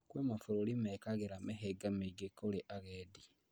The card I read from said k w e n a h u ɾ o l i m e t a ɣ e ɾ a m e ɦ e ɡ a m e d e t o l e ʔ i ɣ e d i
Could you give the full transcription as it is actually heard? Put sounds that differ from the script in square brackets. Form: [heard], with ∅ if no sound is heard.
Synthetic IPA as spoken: k w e [m] a [f] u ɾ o l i m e [k] a ɣ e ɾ a m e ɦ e ɡ a m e [ɡ] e [k] o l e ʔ [a] ɣ e d i